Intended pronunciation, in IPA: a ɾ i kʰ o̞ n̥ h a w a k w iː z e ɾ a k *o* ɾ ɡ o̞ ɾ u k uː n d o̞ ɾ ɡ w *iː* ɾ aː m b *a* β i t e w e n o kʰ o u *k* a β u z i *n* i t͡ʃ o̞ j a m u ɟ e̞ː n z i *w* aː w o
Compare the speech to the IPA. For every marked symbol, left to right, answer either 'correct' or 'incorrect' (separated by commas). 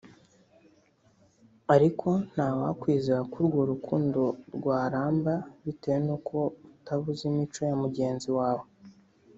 incorrect, incorrect, correct, incorrect, incorrect, correct